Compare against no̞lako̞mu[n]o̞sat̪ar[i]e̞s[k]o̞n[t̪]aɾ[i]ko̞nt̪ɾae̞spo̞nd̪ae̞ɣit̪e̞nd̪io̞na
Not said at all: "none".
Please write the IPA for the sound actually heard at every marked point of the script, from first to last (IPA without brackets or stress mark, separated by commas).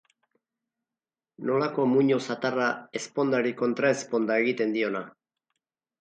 ɲ, a, p, d̪, i